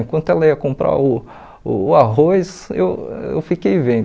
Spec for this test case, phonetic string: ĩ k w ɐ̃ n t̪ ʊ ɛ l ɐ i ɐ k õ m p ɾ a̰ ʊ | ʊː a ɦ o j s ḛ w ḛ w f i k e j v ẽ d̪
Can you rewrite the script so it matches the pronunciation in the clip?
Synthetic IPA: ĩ k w ɐ̃ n t̪ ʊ ɛ l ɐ i ɐ k õ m p ɾ a̰ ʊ | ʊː a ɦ o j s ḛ w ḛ w f i k e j v ẽ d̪